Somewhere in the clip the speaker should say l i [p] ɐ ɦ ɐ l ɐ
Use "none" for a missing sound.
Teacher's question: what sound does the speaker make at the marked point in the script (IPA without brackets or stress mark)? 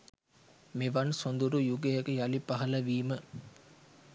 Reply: p